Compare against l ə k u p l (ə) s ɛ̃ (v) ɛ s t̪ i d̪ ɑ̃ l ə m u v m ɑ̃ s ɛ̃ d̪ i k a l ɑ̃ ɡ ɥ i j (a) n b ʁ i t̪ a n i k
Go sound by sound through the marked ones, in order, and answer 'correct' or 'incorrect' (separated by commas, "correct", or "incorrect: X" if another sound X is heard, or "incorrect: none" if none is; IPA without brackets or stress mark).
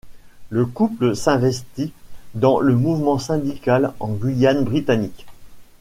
correct, correct, correct